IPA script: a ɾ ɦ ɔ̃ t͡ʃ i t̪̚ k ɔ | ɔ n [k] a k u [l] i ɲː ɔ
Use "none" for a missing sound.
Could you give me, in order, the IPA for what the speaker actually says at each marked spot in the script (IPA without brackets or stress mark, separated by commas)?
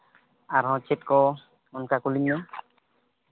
k, l